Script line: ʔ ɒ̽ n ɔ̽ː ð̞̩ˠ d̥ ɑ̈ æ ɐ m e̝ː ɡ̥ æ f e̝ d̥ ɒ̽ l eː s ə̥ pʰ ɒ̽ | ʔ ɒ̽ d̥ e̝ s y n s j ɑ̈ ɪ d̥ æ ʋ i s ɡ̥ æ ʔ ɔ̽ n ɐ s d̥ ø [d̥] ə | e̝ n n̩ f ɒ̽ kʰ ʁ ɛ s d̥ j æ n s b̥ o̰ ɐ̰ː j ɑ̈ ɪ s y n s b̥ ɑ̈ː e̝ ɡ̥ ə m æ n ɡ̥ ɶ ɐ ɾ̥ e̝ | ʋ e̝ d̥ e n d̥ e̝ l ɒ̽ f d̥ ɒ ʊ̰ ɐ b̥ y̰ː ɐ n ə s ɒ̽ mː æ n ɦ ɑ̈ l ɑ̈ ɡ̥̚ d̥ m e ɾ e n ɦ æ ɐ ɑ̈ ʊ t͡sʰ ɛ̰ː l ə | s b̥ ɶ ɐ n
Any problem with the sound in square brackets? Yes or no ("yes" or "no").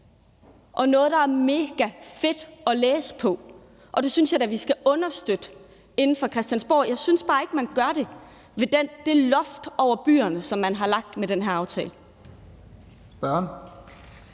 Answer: no